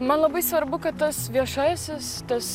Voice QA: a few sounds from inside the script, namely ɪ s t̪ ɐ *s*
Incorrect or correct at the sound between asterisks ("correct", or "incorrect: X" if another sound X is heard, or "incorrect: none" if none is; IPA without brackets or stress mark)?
correct